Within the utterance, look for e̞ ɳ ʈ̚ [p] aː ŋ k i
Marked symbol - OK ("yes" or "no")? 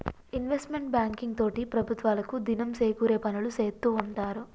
no